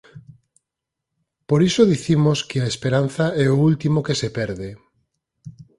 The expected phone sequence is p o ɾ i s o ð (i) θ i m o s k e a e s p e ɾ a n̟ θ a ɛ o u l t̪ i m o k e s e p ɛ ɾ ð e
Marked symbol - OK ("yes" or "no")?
yes